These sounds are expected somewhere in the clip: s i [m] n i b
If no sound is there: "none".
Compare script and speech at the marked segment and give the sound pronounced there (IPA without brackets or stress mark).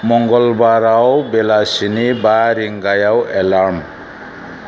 none